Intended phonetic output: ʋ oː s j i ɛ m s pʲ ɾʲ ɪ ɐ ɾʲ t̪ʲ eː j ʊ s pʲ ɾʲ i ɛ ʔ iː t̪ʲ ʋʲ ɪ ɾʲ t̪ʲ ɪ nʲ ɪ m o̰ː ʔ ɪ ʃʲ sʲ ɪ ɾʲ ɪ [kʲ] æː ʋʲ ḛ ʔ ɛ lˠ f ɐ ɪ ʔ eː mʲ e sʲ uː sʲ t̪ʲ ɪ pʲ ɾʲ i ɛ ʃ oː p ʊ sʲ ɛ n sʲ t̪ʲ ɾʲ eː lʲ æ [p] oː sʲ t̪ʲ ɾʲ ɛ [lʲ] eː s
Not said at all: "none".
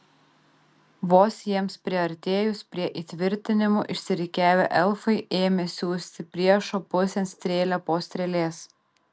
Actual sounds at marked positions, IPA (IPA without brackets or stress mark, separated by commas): kʲ, p, lʲ